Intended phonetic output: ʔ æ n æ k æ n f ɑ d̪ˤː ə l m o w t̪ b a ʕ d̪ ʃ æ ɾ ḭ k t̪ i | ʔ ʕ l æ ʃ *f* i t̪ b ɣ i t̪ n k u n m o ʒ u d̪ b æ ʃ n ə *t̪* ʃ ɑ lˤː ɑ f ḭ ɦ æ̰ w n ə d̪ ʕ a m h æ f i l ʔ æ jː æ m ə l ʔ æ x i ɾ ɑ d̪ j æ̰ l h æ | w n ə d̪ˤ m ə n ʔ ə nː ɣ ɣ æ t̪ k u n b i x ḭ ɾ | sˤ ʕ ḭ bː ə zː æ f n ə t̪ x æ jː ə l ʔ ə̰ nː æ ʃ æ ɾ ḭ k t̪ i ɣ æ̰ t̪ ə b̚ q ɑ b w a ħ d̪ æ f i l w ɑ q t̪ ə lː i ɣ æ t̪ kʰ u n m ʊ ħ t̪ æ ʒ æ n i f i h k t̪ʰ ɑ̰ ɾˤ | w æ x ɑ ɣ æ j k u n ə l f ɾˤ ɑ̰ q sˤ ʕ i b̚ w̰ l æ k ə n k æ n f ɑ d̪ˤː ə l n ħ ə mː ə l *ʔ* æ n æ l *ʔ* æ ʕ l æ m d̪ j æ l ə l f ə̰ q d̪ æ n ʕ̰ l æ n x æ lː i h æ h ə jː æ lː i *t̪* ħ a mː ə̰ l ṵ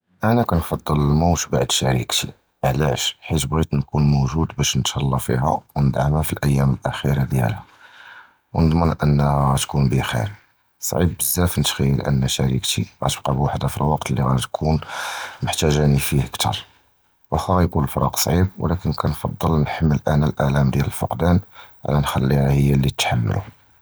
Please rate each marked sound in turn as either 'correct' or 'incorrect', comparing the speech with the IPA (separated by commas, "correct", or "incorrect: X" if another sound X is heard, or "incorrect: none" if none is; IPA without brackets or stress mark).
incorrect: ħ, correct, correct, correct, correct